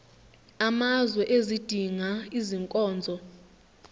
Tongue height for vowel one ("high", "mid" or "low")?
low